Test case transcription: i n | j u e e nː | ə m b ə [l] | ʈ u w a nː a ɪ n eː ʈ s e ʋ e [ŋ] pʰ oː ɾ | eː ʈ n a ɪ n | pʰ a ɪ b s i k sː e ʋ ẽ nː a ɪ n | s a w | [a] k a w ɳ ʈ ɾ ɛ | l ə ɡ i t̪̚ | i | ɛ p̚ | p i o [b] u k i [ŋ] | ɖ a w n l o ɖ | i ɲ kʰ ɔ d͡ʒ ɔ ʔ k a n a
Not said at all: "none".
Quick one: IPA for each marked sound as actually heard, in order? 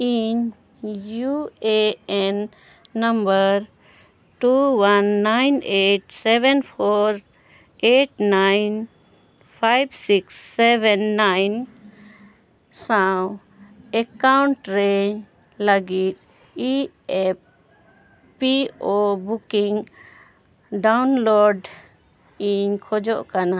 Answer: ɾ, n, ɛ, b, ŋ

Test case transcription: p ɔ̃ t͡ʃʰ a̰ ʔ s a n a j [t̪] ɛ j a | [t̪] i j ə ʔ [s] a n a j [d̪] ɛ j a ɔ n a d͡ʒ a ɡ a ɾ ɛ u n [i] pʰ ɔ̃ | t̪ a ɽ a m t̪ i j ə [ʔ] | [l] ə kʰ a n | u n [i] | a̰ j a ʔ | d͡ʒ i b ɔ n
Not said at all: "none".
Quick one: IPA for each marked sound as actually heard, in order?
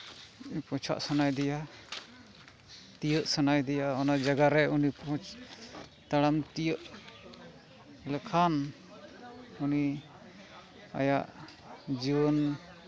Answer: d̪, t̪, s, d̪, i, ʔ, l, i

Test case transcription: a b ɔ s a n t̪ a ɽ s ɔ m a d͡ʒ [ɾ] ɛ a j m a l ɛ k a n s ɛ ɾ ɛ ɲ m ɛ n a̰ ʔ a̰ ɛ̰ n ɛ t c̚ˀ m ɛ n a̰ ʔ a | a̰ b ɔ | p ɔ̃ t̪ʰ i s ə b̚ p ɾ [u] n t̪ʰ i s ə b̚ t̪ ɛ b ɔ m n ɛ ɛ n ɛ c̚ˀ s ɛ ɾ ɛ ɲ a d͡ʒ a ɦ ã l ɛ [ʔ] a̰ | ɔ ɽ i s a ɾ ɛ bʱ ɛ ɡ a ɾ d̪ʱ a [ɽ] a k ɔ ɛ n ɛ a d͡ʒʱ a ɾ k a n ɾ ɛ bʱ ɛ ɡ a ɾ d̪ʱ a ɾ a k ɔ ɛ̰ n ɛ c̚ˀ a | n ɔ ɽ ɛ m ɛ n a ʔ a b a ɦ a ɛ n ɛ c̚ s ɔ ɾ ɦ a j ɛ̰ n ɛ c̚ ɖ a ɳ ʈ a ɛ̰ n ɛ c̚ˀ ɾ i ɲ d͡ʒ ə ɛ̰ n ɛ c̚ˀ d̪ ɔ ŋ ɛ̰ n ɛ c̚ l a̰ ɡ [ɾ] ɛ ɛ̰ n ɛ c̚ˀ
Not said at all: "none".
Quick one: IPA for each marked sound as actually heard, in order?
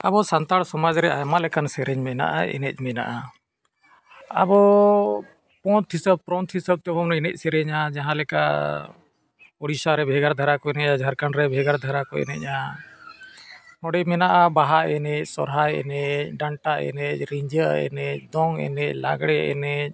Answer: ɾ, ɔ, k, ɾ, ɽ

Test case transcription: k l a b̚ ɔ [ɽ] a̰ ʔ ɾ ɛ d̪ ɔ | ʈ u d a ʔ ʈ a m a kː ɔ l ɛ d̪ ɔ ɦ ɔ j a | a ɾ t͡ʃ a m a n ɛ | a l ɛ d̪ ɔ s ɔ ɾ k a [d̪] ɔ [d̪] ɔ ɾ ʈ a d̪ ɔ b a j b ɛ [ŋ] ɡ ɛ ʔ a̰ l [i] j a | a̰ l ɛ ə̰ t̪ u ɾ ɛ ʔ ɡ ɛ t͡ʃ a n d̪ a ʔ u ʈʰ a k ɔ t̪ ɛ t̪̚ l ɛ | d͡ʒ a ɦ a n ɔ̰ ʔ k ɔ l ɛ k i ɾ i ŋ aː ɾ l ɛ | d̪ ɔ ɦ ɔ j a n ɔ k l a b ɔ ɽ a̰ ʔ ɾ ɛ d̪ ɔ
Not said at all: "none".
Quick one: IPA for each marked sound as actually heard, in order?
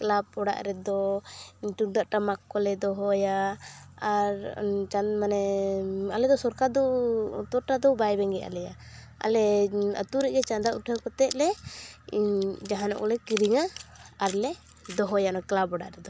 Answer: ɽ, d̪, t̪, ŋ, ɛ

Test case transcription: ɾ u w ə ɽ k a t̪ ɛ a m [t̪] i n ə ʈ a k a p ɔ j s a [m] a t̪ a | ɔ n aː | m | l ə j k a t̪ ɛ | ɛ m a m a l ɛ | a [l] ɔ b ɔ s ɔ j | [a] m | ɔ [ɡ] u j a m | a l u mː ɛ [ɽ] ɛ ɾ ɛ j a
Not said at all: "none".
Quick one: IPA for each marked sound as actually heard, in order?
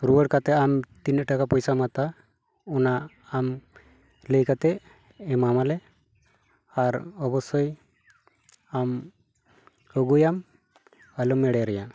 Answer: t̪, m, ɾ, a, ɡ, ɽ

